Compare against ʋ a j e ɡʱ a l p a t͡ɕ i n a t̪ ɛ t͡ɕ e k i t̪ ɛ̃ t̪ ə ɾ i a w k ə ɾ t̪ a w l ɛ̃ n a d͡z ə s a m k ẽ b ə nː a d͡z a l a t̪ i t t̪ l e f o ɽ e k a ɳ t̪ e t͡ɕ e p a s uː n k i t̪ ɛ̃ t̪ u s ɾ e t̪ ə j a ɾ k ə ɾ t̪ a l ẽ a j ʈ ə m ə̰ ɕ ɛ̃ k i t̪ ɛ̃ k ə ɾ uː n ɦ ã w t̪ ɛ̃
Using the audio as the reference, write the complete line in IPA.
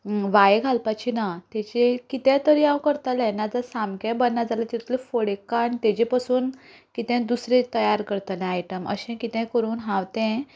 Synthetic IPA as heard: ʋ a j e ɡʱ a l p a t͡ɕ i n a t̪ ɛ t͡ɕ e k i t̪ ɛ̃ t̪ ə ɾ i a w k ə ɾ t̪ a l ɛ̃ n a d͡z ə s a m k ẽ b ə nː a d͡z a l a t̪ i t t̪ l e f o ɽ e k a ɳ t̪ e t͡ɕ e p a s uː n k i t̪ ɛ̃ d̪ u s ɾ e t̪ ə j a ɾ k ə ɾ t̪ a l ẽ a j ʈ ə m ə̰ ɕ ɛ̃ k i t̪ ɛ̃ k ə ɾ uː n ɦ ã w t̪ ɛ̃